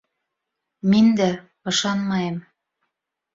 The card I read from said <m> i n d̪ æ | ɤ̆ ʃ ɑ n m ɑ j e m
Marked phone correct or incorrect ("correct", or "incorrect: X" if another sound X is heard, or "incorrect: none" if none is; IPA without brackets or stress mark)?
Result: correct